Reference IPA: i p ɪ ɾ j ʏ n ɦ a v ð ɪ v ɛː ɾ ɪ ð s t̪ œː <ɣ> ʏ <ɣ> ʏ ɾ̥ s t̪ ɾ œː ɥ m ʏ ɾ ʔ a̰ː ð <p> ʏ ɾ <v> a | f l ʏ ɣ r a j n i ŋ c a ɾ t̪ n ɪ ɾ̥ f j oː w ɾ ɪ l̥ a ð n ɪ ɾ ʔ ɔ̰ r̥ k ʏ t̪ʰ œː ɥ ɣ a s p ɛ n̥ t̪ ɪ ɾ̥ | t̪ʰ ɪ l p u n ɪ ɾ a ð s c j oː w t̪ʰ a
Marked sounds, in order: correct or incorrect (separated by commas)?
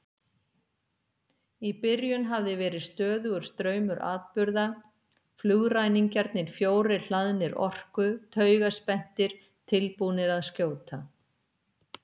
incorrect, correct, correct, incorrect